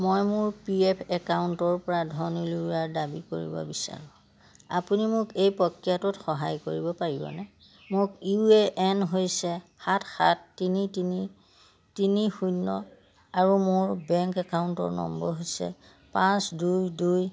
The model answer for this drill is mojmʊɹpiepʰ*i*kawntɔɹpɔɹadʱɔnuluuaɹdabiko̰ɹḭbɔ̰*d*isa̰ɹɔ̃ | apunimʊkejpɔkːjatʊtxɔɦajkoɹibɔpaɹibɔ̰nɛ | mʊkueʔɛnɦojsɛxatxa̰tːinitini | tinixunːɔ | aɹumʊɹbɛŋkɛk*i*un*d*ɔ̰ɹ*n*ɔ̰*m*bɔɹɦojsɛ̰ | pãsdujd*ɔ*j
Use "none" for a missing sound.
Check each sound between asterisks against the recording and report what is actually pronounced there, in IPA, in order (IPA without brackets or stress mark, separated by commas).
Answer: ɛ, b, a, t, n, m, u